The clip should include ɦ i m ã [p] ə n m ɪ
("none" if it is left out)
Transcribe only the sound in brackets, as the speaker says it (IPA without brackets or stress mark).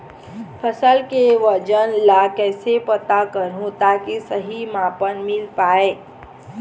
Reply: p